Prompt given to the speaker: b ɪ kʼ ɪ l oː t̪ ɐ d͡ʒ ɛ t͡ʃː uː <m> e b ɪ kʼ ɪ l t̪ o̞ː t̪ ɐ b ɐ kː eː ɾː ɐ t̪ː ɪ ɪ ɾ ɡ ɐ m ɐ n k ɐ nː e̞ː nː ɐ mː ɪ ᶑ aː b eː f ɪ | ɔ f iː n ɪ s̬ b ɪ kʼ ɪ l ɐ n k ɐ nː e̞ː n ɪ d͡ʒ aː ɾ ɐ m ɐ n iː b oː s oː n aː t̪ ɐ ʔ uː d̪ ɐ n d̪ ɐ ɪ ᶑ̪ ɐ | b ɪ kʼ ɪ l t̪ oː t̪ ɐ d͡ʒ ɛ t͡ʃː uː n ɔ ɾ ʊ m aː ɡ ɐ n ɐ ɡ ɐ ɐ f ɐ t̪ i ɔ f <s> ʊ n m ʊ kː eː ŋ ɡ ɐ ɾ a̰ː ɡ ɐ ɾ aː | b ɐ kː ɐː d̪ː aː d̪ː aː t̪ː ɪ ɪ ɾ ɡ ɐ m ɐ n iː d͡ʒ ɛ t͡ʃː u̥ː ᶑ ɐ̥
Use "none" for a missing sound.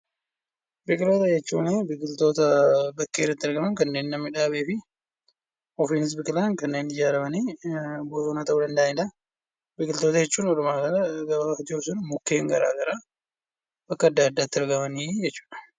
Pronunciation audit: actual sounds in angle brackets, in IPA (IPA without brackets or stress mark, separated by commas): n, s